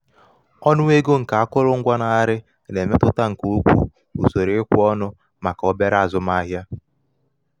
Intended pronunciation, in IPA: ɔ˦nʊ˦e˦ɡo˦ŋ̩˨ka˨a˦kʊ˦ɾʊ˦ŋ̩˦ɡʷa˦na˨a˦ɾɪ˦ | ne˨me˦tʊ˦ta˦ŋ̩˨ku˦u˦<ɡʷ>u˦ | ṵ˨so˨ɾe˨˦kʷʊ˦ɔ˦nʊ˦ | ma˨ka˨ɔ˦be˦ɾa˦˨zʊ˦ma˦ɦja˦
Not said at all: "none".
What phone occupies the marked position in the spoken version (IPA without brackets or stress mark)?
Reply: kʷ